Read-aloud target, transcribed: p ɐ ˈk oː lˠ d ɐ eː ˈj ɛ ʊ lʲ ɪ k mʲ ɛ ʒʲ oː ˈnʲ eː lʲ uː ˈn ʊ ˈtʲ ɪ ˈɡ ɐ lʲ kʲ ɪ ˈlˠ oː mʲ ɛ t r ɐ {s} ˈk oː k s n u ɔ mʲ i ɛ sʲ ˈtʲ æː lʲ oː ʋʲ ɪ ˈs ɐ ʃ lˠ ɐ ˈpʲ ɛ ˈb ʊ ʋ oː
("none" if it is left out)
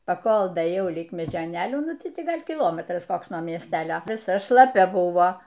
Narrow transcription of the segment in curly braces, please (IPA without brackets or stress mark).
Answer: s